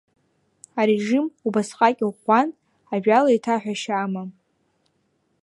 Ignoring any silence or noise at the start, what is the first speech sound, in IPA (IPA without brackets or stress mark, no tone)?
a